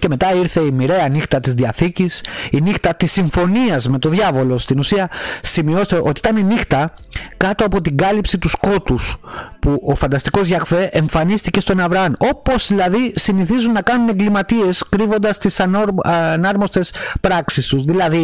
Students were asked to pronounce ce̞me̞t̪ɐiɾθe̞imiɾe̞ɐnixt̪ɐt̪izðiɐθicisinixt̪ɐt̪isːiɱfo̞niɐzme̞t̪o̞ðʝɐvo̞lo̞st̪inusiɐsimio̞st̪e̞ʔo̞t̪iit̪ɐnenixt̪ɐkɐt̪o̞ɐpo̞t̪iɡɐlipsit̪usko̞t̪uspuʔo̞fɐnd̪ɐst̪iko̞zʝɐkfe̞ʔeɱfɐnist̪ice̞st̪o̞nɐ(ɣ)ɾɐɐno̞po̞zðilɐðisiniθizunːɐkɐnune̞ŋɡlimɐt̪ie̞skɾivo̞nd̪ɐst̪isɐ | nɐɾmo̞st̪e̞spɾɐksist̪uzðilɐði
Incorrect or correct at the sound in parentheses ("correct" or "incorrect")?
incorrect